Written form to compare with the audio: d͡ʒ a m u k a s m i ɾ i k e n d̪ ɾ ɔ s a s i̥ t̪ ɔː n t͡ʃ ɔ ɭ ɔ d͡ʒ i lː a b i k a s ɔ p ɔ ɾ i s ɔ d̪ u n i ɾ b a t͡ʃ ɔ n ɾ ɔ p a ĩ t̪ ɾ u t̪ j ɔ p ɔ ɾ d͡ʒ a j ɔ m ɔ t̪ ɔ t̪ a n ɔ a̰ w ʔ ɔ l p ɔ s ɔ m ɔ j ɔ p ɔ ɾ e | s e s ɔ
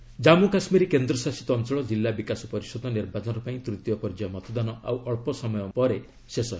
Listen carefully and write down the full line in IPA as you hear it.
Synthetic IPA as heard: d͡ʒ a m u k a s m i ɾ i k e n d̪ ɾ ɔ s a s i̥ t̪ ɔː n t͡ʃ ɔ ɭ ɔ d͡ʒ i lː a b i k a s ɔ p ɔ ɾ i s ɔ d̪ ɔ n i ɾ b a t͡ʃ ɔ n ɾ ɔ p a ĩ t̪ ɾ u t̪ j ɔ p ɔ ɾ d͡ʒ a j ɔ m ɔ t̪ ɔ d̪ a n ɔ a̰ w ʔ ɔ ɭ p ɔ s ɔ m ɔ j ɔ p ɔ ɾ e | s e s ɔ

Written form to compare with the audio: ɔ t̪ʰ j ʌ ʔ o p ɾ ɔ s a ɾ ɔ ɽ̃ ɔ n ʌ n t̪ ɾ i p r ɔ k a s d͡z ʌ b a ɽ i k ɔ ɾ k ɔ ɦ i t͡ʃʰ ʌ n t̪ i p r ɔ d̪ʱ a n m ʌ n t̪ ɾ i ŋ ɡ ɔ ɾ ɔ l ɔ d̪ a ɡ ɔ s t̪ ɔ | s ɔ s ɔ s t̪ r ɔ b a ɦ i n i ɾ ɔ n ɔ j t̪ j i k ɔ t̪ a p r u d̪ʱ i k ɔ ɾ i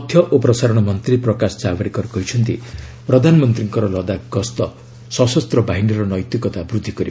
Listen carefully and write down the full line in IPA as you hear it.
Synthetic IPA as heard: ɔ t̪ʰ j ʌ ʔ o p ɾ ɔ s a ɾ ɔ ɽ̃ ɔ m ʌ n t̪ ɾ i p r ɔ k a s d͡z a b a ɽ i k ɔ ɾ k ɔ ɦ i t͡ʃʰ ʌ n t̪ i p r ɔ d̪ʱ a n m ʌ n t̪ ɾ i ŋ k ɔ ɾ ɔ l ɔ d̪ a ɡ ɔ s t̪ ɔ | s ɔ s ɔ s t̪ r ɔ b a ɦ i n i ɾ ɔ n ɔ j t̪ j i k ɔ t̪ a b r u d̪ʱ i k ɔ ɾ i

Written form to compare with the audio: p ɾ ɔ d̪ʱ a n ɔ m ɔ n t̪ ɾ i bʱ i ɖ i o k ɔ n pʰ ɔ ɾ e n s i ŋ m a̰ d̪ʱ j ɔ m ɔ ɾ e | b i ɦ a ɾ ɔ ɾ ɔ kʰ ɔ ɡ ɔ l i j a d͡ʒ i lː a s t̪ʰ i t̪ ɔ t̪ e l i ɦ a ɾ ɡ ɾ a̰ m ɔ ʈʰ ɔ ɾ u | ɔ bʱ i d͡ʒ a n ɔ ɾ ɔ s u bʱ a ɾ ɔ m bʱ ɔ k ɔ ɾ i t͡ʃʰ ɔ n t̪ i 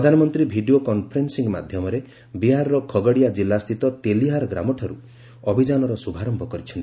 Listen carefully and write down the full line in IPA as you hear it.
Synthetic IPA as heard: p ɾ ɔ d̪ʱ a n ɔ m ɔ n t̪ ɾ i bʱ i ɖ i o k ɔ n pʰ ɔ ɾ e n s i ŋ m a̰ d̪ʱ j ɔ m ɔ ɾ e | b i ɦ a ɾ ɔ ɾ ɔ kʰ ɔ ɡ ɔ ɽ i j a d͡ʒ i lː a s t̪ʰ i t̪ ɔ t̪ e l i ɦ a ɾ ɡ ɾ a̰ m ɔ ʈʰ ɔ ɾ u | ɔ bʱ i d͡ʒ a n ɔ ɾ ɔ s u bʱ a ɾ ɔ m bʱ ɔ k ɔ ɾ i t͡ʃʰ ɔ n t̪ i

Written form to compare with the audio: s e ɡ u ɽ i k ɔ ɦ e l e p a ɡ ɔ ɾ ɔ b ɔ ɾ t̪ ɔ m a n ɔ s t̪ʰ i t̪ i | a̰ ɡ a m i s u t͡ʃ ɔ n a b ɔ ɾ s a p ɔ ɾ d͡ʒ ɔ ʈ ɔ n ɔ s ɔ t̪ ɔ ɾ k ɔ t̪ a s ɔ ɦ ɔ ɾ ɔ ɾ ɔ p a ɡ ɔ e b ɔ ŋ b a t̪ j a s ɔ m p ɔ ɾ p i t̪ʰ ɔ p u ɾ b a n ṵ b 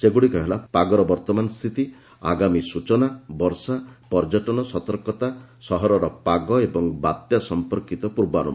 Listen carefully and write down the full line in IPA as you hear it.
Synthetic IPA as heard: s e ɡ u ɽ i k ɔ ɦ e l a p a ɡ ɔ ɾ ɔ b ɔ ɾ t̪ ɔ m a n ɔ s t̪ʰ i t̪ i | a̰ ɡ a m i s u t͡ʃ ɔ n a b ɔ ɾ s a p ɔ ɾ d͡ʒ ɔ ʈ ɔ n ɔ s ɔ t̪ ɔ ɾ k ɔ t̪ a s ɔ ɦ ɔ ɾ ɔ ɾ ɔ p a ɡ ɔ e b ɔ ŋ b a t̪ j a s ɔ m p ɔ ɾ k i t̪ ɔ p u ɾ b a n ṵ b

